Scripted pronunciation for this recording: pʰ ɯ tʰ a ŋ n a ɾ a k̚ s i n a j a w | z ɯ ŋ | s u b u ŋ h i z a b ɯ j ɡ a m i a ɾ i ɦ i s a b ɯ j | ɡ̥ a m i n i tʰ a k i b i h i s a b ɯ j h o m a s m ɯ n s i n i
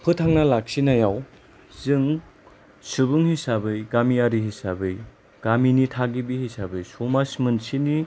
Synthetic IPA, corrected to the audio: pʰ ɯ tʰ a ŋ n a l a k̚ s i n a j a w | z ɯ ŋ | s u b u ŋ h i s a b ɯ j ɡ a m i a ɾ i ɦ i s a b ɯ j | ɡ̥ a m i n i tʰ a ɡ i b i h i s a b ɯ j s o m a s m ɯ n s i n i